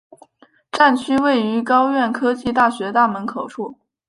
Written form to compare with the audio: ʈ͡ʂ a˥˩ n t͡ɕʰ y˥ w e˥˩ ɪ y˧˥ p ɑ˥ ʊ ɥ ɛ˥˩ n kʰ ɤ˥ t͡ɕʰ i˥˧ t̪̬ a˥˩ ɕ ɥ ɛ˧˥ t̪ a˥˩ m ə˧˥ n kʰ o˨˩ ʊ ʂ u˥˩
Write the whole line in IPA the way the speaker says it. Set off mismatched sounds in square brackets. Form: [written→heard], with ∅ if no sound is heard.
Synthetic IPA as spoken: ʈ͡ʂ a˥˩ n t͡ɕʰ y˥ w e˥˩ ɪ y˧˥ [p→k] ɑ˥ ʊ ɥ ɛ˥˩ n kʰ ɤ˥ [t͡ɕʰ→t͡ɕ] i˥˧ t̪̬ a˥˩ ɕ ɥ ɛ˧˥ t̪ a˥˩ m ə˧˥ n kʰ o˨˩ ʊ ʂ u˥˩